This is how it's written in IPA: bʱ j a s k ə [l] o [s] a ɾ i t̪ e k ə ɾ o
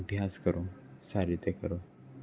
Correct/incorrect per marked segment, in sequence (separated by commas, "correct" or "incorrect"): incorrect, correct